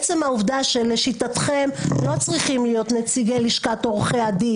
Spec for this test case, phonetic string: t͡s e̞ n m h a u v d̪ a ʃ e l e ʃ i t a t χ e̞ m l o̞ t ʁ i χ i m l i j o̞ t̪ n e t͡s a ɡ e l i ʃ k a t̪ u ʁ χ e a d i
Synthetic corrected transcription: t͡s e̞ m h a u v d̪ a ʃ e l e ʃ i t a t χ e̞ m l o̞ t͡s ʁ i χ i m l i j o̞ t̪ n e t͡s i ɡ e l i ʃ k a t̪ o ʁ χ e a d i